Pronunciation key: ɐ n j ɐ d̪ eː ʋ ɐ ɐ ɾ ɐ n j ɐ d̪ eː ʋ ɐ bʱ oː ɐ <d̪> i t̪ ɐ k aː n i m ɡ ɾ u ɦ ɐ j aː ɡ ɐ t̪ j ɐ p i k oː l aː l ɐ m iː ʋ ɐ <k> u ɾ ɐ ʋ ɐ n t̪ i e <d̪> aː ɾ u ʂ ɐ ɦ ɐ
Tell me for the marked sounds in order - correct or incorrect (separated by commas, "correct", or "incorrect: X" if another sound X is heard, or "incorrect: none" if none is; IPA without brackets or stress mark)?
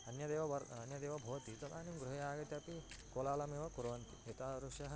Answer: incorrect: t̪, correct, incorrect: t̪